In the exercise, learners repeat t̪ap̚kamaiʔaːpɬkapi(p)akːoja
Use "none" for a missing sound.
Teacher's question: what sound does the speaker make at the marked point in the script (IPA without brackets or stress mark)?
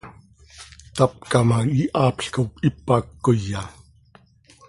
p